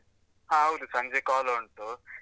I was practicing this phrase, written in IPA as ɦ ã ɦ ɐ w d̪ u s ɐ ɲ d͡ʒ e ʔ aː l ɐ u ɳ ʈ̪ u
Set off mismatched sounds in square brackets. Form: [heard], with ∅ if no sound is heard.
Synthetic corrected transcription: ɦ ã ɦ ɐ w d̪ u s ɐ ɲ d͡ʒ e [k] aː l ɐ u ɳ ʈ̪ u